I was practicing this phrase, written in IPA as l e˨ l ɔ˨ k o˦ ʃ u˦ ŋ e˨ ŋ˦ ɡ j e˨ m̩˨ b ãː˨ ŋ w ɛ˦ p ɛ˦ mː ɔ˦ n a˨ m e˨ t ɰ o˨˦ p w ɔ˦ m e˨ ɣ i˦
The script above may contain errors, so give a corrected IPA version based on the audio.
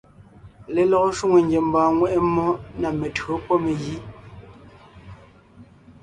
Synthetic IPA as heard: l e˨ l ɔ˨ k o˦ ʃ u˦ ŋ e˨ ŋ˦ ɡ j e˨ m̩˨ b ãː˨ ŋ w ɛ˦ ʔ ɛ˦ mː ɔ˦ n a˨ m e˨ t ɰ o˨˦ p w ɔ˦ m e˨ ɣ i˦

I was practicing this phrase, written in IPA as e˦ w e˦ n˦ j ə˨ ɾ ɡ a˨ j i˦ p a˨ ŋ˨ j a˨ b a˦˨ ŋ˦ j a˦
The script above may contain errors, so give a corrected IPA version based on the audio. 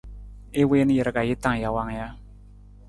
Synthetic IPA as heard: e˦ w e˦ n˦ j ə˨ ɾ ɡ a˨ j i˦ t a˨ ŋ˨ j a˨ w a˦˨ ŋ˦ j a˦

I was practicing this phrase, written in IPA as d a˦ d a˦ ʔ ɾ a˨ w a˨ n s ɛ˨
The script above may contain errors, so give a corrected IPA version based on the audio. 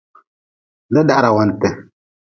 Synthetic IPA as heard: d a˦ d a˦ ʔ ɾ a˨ w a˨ n t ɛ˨

